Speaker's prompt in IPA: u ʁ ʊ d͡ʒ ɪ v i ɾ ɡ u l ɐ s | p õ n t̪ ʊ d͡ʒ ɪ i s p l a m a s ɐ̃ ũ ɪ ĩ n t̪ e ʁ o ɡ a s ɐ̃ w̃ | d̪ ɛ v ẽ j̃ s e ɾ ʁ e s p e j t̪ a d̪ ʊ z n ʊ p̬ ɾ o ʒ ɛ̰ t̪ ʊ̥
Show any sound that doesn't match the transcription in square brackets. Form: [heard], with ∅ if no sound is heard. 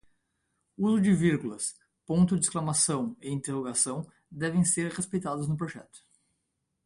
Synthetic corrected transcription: u [z] ʊ d͡ʒ ɪ v i ɾ ɡ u l ɐ s | p õ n t̪ ʊ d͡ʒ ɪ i s [k] l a m a s ɐ̃ [w̃] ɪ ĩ n t̪ e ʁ o ɡ a s ɐ̃ w̃ | d̪ ɛ v ẽ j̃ s e ɾ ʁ e s p e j t̪ a d̪ ʊ z n ʊ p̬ ɾ o ʒ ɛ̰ t̪ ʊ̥